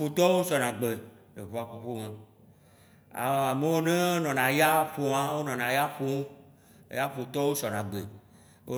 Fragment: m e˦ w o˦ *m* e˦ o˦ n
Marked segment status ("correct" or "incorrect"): incorrect